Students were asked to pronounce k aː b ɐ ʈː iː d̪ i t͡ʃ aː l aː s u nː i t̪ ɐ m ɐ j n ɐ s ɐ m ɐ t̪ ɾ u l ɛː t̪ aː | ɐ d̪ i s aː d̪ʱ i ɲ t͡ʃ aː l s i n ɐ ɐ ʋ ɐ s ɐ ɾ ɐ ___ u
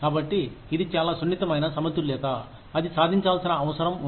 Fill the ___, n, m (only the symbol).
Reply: m